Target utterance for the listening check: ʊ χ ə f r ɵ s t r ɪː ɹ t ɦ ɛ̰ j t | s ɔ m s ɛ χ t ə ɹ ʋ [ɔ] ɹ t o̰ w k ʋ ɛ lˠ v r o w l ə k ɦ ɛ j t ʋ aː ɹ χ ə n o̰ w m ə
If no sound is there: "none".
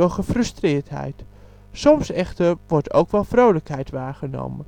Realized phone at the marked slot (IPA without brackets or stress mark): ɔ